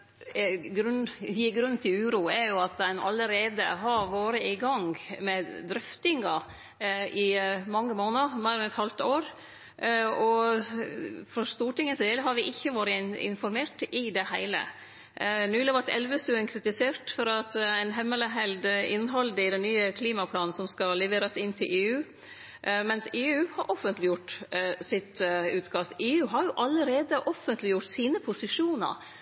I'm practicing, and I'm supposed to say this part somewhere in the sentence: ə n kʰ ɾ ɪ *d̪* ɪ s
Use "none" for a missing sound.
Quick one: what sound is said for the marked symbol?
t̪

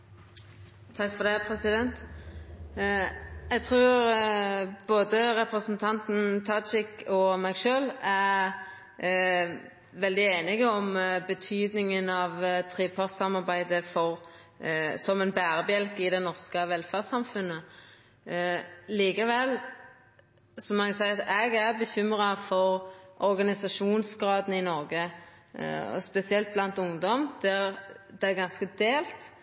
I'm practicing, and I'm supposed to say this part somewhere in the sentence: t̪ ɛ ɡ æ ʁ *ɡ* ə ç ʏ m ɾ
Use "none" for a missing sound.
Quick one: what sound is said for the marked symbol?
b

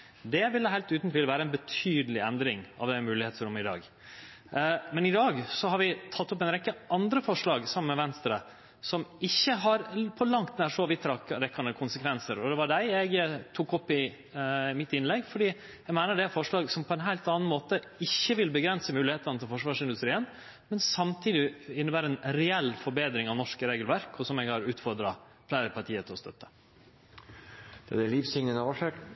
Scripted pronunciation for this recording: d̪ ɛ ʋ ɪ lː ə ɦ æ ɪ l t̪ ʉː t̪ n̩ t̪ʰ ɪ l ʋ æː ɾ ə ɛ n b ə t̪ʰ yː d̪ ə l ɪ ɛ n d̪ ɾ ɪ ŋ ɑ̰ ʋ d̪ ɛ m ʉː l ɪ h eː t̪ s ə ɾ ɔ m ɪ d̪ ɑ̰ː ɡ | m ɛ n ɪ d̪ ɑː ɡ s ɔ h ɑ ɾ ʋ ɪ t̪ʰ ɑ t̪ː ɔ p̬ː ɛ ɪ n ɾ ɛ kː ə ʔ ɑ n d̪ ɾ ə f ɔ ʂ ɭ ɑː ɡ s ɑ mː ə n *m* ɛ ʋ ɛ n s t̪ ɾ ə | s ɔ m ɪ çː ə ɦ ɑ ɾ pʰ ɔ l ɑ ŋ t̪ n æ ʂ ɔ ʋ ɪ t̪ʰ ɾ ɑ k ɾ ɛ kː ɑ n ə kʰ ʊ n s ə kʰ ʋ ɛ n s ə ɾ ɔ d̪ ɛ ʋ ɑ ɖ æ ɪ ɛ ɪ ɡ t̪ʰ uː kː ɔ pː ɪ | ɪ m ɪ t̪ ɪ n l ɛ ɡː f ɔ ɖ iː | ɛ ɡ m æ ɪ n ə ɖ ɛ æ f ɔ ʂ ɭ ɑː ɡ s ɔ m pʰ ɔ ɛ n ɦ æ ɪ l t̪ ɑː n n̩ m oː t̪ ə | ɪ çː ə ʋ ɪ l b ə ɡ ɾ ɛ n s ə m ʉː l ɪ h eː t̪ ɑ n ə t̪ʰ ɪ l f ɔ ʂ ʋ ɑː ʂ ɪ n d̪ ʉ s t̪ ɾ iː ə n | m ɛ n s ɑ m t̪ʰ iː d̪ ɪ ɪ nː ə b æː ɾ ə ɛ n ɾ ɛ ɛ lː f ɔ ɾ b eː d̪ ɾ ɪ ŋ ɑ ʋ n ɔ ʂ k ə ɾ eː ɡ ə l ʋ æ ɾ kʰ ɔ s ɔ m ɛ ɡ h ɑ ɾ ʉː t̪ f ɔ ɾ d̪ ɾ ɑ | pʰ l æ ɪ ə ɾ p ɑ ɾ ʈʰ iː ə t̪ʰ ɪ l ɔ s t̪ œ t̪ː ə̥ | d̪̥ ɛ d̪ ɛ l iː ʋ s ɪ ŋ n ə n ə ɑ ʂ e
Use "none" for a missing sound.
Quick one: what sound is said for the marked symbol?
m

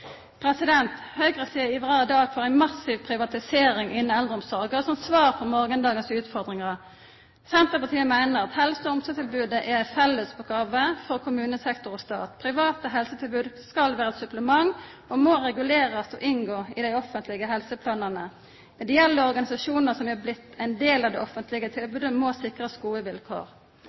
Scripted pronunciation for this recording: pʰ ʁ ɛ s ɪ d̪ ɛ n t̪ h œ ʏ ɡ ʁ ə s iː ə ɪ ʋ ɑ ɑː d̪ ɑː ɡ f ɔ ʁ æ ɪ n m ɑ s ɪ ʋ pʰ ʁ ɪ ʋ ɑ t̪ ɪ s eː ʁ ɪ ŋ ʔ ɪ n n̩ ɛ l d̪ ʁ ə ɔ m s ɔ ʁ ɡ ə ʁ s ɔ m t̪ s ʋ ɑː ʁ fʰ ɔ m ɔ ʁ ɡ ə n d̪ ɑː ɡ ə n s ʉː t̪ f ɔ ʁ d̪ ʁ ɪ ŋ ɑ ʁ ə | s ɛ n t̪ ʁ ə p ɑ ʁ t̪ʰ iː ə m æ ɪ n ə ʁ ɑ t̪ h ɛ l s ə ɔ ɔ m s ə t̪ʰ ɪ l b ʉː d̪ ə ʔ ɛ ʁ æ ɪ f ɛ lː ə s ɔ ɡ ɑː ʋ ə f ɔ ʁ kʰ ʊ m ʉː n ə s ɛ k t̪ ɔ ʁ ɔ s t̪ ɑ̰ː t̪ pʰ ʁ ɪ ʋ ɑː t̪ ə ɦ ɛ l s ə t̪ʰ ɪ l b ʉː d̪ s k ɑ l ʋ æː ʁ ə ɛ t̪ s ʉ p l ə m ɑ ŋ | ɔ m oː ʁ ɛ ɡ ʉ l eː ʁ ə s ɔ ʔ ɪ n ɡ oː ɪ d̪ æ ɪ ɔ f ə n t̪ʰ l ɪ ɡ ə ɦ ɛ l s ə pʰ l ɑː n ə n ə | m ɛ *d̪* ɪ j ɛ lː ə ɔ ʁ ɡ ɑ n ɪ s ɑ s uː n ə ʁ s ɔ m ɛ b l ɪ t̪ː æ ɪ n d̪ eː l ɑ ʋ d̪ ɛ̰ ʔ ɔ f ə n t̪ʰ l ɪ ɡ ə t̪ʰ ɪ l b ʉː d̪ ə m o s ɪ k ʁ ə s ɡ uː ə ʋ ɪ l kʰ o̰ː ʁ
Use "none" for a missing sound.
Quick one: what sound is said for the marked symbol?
d̪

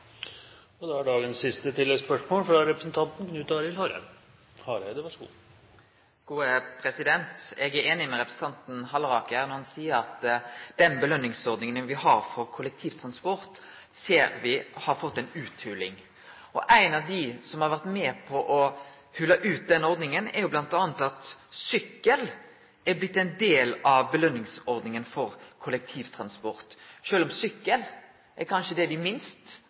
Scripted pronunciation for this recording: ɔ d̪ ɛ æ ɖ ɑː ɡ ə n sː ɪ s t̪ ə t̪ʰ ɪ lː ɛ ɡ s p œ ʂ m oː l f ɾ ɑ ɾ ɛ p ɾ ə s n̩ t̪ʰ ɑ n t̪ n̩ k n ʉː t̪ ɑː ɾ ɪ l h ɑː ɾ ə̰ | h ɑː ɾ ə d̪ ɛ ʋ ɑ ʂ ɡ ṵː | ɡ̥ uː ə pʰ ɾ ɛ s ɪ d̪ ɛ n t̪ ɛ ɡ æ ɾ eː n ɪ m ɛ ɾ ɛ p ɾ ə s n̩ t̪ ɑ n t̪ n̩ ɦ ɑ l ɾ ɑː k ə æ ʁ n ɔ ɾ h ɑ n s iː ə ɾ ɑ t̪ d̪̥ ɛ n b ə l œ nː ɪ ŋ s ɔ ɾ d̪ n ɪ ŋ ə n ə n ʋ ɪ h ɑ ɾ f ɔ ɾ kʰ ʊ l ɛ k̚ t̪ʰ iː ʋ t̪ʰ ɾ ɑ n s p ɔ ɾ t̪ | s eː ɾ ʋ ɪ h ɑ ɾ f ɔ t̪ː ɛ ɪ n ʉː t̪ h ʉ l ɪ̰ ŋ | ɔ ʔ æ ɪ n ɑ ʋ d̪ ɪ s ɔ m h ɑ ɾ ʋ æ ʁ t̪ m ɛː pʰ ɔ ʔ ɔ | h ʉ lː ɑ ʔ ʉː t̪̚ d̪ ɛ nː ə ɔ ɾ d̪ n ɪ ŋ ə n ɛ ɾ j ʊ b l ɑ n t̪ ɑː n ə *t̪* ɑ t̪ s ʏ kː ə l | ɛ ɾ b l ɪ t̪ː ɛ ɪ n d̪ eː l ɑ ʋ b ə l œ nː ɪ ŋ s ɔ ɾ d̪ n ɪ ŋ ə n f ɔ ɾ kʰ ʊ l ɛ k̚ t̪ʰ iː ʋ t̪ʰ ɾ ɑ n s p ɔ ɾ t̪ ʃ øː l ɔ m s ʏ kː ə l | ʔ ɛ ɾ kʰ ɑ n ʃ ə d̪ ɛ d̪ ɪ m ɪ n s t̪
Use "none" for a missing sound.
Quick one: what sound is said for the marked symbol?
t̪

